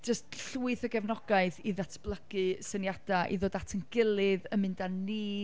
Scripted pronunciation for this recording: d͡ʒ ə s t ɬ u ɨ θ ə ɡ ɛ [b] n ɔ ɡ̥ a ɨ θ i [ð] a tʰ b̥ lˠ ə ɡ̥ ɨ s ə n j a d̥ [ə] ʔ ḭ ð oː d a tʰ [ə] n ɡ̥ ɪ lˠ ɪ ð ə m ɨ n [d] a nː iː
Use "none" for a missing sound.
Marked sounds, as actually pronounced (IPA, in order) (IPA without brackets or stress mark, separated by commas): v, ð, a, ə, d